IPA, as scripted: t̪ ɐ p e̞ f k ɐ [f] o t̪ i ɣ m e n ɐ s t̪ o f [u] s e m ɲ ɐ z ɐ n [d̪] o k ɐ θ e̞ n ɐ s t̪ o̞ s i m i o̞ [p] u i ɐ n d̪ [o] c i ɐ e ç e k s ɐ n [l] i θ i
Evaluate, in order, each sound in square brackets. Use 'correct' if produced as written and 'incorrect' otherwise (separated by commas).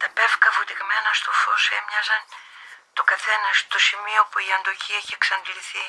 correct, incorrect, incorrect, correct, correct, correct